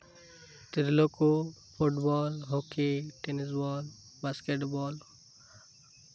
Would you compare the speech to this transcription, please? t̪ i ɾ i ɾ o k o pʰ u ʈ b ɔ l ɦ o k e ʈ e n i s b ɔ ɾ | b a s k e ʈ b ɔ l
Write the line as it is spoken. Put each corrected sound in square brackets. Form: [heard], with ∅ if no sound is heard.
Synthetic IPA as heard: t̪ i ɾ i [l] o k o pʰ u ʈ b ɔ l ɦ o k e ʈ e n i s b ɔ [l] | b a s k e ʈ b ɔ l